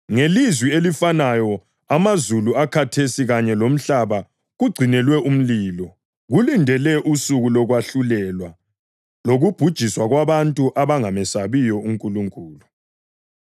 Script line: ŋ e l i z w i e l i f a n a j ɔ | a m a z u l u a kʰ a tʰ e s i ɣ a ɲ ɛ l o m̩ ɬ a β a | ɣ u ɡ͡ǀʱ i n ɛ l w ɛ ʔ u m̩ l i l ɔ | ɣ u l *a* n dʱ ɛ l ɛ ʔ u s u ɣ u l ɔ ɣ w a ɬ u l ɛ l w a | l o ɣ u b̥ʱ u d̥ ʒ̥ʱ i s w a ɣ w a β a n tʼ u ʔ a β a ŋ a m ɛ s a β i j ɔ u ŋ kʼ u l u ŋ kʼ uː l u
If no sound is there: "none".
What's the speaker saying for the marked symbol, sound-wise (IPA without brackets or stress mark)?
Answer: i